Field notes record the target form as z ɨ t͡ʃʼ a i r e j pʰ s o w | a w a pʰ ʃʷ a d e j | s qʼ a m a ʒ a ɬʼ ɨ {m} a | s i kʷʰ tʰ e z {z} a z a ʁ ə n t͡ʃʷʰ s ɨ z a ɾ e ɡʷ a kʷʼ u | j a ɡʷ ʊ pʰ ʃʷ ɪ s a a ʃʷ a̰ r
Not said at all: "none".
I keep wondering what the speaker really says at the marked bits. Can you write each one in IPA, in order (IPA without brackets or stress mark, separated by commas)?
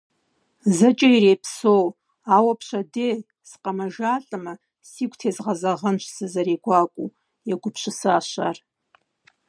m, ʁ